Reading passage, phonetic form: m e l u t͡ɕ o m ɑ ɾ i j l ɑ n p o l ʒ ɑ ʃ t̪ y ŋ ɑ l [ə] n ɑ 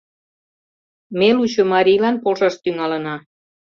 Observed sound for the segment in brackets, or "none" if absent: ə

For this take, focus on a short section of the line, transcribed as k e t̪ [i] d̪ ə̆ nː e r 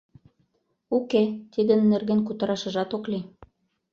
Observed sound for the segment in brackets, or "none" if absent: i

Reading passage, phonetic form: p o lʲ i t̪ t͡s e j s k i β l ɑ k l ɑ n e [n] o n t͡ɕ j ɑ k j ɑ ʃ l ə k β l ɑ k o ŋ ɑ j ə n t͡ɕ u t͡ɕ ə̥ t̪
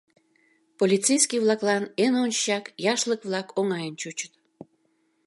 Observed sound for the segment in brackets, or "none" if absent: n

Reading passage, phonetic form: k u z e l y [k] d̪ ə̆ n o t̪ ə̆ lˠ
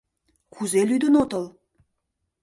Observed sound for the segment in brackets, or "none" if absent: none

